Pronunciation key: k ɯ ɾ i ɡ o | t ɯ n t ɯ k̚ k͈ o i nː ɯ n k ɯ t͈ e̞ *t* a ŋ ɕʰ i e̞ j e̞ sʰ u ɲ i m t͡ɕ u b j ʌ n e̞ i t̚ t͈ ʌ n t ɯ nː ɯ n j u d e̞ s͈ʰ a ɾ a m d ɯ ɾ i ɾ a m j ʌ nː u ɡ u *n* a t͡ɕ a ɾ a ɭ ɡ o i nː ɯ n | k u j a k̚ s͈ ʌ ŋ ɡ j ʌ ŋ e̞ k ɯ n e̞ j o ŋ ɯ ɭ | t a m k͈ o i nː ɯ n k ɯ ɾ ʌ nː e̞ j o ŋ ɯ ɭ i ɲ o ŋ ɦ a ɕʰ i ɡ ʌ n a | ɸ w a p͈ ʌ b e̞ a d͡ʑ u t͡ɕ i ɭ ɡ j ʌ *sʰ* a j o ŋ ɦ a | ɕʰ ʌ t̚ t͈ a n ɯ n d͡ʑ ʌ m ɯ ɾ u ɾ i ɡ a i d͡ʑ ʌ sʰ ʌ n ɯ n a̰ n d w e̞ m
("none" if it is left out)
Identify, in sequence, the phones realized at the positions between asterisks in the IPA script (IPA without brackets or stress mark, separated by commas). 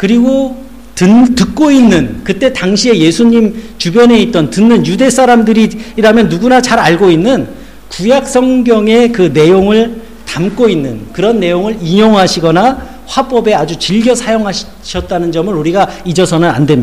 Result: t, n, sʰ